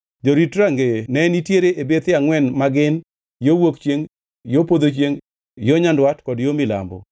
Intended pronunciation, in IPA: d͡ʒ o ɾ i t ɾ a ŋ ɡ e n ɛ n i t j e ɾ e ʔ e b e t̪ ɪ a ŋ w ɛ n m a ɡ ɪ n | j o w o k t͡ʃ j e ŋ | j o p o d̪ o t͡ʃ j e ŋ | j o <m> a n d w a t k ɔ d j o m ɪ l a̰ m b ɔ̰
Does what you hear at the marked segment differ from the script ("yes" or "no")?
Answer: yes